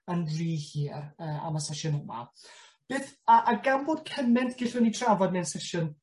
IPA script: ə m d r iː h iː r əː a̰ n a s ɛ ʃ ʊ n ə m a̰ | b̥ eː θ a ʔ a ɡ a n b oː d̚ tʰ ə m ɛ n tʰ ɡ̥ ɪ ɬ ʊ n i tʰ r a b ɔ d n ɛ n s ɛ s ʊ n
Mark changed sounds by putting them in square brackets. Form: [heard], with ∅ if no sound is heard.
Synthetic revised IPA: ə [n] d r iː h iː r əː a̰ [m] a s ɛ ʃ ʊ n ə m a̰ | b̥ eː θ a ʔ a ɡ a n b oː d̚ [kʰ] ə m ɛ n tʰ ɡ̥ ɪ ɬ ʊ n i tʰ r a [v] ɔ d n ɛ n s ɛ [ʃ] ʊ n